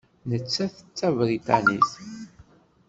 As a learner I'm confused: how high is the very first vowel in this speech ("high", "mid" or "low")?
mid